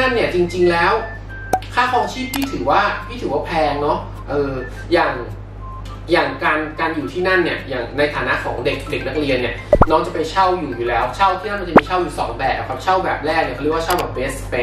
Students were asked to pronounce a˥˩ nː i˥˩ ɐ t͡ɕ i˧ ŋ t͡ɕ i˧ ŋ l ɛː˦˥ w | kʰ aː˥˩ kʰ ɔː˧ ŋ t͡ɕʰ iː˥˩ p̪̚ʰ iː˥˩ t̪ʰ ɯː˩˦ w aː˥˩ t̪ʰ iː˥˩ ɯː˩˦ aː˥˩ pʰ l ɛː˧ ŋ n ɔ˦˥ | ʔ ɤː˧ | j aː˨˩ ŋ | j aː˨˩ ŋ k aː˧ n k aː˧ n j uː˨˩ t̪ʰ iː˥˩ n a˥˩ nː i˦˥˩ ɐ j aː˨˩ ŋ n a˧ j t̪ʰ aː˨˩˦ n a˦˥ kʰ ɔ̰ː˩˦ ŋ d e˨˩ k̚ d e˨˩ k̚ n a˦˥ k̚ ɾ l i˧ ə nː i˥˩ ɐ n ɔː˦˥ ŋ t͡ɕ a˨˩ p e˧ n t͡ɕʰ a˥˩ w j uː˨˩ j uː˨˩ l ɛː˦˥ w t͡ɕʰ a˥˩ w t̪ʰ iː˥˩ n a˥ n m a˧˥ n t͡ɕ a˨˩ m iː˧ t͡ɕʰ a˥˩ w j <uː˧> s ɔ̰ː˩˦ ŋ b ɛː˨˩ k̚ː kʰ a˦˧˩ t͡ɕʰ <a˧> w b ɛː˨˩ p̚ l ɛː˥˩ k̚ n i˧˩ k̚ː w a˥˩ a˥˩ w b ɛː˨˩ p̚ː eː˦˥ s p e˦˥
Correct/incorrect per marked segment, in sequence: incorrect: uː˨˩, incorrect: a˥˩

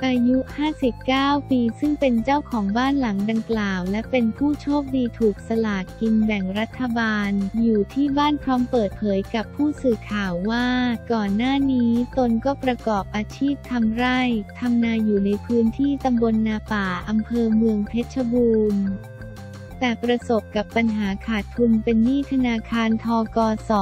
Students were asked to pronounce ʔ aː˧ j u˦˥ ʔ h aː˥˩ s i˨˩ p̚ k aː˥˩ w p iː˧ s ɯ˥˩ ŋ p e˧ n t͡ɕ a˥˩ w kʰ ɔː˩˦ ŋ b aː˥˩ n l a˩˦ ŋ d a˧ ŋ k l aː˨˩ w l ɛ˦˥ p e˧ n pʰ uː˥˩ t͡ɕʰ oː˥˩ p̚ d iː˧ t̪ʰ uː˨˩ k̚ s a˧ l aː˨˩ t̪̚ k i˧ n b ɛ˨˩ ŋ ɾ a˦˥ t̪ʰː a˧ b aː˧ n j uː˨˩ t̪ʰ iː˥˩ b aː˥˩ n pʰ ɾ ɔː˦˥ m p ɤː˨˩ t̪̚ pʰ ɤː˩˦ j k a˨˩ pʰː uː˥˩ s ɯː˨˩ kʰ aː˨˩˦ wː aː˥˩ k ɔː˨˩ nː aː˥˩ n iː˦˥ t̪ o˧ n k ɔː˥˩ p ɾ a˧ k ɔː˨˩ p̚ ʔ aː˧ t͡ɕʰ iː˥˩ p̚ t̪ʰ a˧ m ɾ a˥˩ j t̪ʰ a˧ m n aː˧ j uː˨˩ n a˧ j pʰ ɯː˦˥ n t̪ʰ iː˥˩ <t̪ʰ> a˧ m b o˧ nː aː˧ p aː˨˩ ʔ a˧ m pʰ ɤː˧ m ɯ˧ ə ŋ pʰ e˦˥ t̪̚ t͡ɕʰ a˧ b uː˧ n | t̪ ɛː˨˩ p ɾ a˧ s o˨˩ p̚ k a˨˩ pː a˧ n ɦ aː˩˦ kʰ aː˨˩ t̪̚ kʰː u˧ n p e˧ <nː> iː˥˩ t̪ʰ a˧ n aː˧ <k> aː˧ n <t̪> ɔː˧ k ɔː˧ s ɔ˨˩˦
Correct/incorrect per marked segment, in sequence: incorrect: t̪, correct, incorrect: kʰ, incorrect: t̪ʰ

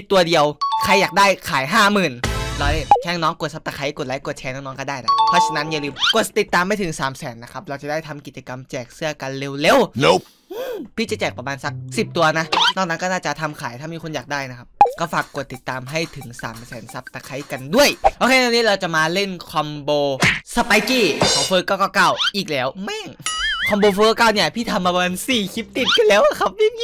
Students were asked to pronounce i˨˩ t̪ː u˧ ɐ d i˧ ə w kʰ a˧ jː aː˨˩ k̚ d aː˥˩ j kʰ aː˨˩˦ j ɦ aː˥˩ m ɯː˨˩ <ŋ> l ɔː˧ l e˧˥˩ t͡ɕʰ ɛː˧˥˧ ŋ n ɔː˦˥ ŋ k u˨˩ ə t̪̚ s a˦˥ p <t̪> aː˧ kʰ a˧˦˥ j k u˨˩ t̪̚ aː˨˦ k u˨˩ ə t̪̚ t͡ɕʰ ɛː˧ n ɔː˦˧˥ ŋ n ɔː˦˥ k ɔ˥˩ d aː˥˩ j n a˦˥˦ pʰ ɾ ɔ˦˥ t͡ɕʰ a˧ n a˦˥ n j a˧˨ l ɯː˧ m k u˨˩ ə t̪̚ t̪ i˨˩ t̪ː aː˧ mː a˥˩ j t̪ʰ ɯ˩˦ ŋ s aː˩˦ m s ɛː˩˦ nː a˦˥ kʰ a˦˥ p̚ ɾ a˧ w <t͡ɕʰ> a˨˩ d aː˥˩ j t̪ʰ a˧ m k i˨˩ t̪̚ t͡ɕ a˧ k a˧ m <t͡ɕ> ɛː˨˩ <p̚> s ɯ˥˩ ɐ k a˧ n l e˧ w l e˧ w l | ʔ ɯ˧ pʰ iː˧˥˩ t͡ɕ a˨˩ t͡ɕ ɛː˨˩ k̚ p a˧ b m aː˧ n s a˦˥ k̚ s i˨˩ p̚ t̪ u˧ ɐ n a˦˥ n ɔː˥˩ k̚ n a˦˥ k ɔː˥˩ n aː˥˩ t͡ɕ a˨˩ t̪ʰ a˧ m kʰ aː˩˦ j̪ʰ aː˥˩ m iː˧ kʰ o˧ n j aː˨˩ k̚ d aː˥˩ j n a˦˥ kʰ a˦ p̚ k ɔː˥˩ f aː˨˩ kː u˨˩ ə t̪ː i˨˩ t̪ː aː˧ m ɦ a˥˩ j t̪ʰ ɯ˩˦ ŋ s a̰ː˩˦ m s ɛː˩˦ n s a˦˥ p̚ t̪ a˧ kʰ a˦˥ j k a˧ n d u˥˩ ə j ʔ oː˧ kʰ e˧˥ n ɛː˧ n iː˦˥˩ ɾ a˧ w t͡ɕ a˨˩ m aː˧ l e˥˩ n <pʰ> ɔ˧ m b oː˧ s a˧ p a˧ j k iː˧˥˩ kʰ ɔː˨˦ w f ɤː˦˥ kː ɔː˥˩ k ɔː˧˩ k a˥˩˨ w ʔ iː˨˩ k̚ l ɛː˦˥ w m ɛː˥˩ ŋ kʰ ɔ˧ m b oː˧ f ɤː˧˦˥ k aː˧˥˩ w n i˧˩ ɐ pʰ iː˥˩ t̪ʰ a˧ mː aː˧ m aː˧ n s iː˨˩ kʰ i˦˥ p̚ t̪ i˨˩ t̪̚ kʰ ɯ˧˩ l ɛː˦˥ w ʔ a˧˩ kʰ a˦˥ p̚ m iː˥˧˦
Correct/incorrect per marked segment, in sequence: incorrect: n, correct, incorrect: t͡ɕ, correct, incorrect: k̚, incorrect: kʰ

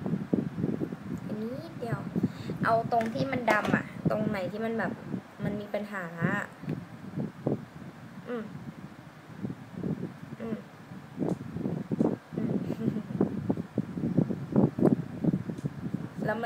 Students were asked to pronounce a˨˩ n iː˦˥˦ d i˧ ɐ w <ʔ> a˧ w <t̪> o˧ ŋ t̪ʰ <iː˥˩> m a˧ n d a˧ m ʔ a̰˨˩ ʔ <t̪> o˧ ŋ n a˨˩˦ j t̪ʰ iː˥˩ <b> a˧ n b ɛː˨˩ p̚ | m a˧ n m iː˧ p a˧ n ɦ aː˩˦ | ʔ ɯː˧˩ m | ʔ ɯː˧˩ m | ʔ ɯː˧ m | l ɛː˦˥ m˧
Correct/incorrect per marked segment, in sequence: correct, correct, correct, correct, incorrect: m

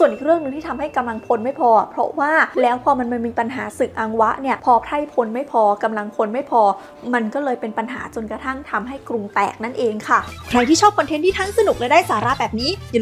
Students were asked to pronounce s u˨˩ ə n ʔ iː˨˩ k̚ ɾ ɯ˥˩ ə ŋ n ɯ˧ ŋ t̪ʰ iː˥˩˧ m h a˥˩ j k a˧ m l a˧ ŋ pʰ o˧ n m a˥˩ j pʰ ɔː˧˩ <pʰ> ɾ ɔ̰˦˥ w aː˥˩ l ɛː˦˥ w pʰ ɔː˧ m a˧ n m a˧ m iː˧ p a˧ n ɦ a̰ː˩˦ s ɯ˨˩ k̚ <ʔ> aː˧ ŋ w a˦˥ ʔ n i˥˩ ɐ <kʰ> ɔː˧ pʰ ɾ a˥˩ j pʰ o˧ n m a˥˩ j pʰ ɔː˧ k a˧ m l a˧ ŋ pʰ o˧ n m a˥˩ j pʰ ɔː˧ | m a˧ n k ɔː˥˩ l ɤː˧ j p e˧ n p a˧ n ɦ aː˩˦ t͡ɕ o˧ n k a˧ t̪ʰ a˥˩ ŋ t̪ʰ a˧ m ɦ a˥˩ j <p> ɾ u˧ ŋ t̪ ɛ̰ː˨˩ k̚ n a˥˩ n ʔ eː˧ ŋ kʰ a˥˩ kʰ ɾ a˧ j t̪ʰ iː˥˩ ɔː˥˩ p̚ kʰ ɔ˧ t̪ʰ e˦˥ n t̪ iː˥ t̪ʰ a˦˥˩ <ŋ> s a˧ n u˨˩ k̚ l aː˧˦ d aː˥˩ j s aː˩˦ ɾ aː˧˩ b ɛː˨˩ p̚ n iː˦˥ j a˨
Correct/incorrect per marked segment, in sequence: correct, correct, incorrect: pʰ, incorrect: k, correct

